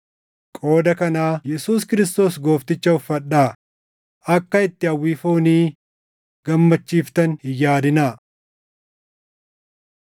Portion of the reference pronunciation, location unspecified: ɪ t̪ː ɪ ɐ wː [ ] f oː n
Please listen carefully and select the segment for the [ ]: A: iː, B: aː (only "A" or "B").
A